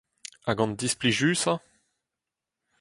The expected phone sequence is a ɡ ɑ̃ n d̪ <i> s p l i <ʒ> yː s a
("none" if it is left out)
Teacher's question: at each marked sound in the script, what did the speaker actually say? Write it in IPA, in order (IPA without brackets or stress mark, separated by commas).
i, ʒ